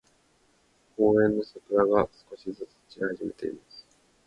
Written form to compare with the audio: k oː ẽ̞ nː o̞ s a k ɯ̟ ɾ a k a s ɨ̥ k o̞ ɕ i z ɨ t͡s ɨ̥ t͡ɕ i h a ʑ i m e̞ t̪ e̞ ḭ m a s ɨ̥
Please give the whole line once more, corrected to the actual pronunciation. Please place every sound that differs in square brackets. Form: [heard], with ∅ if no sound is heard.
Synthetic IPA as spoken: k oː ẽ̞ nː o̞ s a k ɯ̟ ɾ a [ɡ] a s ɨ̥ k o̞ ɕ i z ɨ t͡s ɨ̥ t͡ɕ i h a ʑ i m e̞ t̪ e̞ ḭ m a s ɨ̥